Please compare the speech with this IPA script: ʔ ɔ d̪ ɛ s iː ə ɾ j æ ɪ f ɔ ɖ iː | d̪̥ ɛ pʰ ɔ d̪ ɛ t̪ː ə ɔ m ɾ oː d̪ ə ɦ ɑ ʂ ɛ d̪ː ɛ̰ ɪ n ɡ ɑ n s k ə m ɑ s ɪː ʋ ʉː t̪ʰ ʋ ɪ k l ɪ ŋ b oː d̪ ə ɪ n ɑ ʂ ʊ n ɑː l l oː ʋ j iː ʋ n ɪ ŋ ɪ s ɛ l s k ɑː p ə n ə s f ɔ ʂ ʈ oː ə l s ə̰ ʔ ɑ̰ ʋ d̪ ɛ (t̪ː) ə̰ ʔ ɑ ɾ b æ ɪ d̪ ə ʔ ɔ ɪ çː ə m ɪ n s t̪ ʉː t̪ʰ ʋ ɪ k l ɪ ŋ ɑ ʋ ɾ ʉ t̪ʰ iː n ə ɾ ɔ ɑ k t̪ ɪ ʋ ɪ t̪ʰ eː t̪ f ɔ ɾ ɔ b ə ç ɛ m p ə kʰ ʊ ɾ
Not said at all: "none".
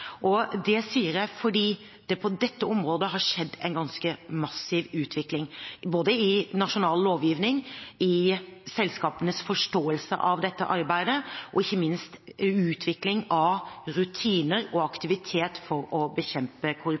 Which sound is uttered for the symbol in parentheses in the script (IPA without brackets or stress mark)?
t̪ː